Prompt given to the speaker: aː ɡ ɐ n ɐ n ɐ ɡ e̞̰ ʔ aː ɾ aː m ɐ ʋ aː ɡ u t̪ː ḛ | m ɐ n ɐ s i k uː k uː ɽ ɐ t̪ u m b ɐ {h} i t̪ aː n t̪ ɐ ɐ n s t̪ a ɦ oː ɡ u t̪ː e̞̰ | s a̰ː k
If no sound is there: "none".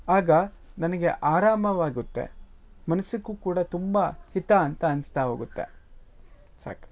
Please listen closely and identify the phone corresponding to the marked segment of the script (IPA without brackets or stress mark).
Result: h